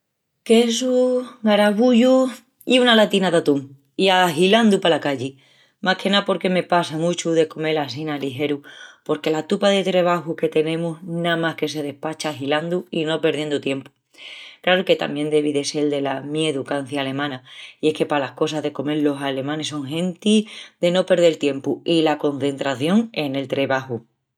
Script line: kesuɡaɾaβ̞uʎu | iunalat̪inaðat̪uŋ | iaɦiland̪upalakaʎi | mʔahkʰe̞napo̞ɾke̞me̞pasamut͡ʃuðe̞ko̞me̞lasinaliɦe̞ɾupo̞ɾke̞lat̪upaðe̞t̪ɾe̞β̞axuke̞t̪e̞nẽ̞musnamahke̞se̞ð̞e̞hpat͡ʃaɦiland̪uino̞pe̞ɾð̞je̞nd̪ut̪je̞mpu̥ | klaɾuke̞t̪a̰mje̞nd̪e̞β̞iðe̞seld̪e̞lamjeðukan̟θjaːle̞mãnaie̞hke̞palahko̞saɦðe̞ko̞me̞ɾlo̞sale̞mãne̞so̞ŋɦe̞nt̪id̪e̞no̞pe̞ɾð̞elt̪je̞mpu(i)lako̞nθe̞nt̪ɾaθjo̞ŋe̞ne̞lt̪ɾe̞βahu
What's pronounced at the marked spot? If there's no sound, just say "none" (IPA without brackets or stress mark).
i